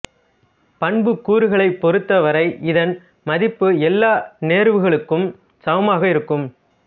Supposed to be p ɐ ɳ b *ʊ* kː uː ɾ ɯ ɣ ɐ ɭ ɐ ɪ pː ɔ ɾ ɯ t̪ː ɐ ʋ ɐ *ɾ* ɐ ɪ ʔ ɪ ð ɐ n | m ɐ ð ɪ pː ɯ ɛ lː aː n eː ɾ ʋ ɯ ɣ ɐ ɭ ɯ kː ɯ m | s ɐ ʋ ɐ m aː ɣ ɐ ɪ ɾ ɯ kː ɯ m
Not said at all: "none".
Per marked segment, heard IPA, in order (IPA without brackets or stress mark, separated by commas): ɯ, ɾ